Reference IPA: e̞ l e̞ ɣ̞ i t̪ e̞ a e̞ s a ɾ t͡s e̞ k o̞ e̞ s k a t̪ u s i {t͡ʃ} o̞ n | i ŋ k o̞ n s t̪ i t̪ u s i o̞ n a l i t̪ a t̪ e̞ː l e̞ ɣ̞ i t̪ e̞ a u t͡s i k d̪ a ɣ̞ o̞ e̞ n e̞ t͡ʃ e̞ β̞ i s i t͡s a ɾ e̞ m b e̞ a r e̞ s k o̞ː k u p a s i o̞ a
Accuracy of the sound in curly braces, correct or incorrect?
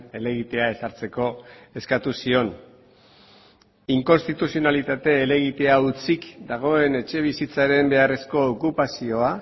incorrect